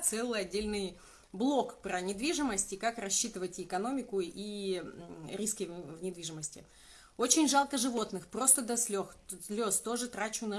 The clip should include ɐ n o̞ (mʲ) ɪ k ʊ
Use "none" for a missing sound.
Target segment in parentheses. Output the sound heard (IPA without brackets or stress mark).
mʲ